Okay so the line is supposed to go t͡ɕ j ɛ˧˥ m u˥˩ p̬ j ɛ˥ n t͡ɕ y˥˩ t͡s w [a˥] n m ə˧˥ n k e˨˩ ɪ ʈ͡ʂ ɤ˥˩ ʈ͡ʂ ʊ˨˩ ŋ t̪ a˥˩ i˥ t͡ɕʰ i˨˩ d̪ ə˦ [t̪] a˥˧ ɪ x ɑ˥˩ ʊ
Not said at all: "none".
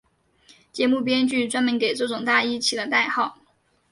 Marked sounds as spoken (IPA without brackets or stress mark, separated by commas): a˥, t̪